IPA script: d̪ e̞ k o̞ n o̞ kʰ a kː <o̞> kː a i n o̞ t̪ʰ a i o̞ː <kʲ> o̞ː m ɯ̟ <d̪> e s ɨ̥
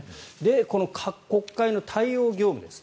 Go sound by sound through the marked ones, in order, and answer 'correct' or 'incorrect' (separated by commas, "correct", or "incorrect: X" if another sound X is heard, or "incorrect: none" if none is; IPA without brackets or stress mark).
correct, incorrect: ɡʲ, correct